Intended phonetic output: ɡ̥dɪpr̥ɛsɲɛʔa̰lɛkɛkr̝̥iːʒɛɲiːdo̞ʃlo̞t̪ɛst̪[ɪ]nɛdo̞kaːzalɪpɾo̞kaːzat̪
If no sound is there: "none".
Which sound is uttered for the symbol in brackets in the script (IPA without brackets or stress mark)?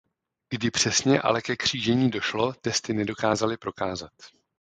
ɪ